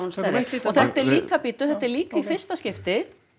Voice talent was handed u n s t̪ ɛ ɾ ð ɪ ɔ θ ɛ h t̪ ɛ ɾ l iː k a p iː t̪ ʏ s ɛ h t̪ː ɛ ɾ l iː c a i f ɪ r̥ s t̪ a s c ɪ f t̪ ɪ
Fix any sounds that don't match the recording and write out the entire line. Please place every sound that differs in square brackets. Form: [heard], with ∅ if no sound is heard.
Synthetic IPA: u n s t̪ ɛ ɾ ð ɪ ɔ θ ɛ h t̪ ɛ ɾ l iː k a p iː t̪ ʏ [θ] ɛ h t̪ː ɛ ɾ l iː [k] a i f ɪ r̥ s t̪ a s c ɪ f t̪ ɪ